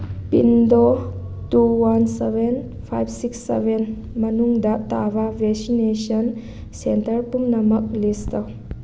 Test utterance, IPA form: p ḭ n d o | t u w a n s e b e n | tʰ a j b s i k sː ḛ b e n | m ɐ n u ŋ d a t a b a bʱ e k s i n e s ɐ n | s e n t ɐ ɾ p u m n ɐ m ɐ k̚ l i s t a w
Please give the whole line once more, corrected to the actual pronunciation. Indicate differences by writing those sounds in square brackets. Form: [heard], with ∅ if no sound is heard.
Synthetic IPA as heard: p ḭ n d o | t u w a n s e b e n | [pʰ] a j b s i k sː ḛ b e n | m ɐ n u ŋ d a t a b a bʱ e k s i n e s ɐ n | s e n t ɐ ɾ p u m n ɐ m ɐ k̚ l i s t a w